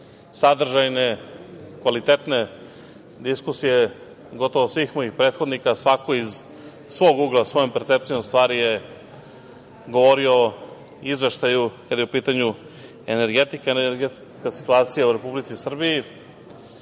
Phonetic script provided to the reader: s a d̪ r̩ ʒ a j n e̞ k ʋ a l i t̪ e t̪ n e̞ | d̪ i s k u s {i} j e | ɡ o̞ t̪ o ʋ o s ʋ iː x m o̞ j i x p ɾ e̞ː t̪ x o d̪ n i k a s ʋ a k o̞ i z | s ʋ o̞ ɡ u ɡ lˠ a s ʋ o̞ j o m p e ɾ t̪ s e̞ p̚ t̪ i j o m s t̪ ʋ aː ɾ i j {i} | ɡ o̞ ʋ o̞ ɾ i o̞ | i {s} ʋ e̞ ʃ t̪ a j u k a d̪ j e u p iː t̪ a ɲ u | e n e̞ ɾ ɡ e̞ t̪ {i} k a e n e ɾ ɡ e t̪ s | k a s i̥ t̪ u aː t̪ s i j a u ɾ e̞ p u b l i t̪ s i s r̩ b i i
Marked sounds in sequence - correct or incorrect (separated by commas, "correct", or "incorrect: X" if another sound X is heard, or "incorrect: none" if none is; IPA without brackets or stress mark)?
correct, incorrect: e, incorrect: z, correct